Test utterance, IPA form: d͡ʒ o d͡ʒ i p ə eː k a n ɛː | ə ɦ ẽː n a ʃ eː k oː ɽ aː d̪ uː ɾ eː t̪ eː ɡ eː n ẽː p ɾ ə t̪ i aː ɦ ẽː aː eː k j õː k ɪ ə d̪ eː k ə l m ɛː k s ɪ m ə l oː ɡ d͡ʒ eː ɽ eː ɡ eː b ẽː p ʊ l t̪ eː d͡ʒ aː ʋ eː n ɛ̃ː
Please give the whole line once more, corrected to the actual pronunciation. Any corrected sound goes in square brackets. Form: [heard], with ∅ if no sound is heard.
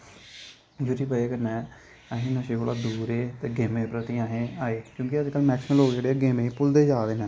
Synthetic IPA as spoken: d͡ʒ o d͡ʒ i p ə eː k [ə] n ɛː | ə ɦ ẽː n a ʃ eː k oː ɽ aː d̪ uː ɾ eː t̪ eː ɡ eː [m] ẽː p ɾ ə t̪ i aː ɦ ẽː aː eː k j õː k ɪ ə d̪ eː k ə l m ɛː k s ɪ m ə l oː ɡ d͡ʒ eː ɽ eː ɡ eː [m] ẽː p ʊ l [d̪] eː d͡ʒ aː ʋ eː n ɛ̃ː